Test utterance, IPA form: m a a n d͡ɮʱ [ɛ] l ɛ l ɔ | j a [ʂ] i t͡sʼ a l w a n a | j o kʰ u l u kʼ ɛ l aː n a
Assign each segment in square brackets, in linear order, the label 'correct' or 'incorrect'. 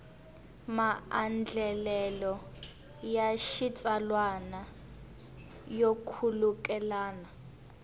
correct, incorrect: ʃ

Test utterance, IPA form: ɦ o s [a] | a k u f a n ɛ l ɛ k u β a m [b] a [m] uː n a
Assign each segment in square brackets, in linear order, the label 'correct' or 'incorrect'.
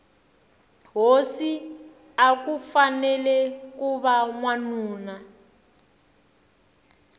incorrect: i, incorrect: w, incorrect: n

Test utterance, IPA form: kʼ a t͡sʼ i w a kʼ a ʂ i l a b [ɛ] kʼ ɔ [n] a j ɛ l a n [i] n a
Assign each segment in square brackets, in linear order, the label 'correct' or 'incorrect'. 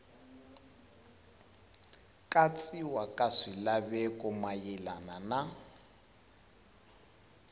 correct, incorrect: m, incorrect: a

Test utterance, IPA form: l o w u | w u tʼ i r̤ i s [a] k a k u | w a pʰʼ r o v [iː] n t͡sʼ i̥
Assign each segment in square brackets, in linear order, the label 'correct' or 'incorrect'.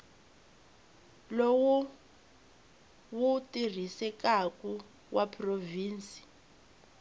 incorrect: ɛ, correct

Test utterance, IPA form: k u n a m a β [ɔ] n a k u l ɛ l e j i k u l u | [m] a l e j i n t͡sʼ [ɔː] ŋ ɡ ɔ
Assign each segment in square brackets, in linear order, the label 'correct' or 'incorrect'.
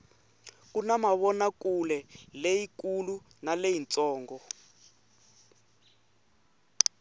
correct, incorrect: n, correct

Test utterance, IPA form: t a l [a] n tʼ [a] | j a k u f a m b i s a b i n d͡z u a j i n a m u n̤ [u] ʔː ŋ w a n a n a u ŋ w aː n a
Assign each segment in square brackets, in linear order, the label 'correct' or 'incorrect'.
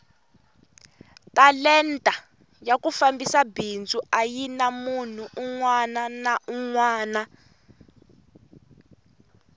incorrect: ɛ, correct, correct

